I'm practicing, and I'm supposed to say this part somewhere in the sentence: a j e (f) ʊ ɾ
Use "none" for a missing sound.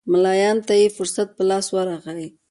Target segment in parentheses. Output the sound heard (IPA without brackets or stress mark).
f